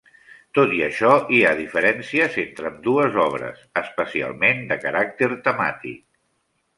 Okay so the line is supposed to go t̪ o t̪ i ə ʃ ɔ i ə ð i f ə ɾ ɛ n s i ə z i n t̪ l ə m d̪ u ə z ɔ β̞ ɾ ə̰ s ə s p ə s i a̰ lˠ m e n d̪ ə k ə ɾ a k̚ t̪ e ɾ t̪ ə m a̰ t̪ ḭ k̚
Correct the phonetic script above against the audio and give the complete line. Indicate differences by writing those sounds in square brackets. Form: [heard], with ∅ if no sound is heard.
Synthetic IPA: t̪ o t̪ i ə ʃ ɔ i [a] ð i f ə ɾ ɛ n s i ə z [e] n t̪ [ɾ] ə m d̪ u ə z ɔ β̞ ɾ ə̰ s ə s p ə s i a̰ lˠ m e n d̪ ə k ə ɾ a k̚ t̪ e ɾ t̪ ə m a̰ t̪ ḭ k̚